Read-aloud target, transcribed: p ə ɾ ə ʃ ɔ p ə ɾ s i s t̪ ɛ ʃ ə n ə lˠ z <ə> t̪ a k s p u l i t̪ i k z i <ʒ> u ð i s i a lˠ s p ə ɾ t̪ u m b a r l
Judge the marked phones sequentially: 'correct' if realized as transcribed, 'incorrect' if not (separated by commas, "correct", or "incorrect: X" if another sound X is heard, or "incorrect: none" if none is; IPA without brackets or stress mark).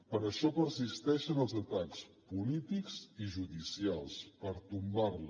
correct, correct